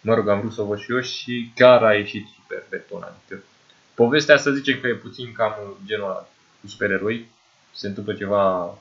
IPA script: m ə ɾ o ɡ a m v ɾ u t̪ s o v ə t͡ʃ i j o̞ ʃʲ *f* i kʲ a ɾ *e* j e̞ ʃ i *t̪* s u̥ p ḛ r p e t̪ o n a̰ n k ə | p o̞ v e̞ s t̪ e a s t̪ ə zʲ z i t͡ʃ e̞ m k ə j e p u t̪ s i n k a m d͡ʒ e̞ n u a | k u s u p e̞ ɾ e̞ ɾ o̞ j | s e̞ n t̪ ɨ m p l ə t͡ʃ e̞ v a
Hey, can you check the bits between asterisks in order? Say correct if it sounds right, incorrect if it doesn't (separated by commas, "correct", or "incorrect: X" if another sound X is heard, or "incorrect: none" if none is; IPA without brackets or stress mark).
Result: incorrect: ʃ, incorrect: a, correct